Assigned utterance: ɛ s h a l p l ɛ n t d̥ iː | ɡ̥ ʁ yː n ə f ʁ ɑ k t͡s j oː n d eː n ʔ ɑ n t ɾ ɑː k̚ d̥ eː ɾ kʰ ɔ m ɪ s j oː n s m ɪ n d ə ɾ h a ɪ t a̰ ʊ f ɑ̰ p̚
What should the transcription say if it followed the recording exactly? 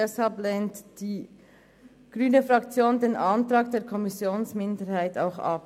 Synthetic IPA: ɛ s h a l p l ɛ n t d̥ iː | ɡ̥ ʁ yː n ə f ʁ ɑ k t͡s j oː n d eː n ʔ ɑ n t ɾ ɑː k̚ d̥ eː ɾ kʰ ɔ m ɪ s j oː n s m ɪ n d ə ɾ h a ɪ t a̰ ʊ x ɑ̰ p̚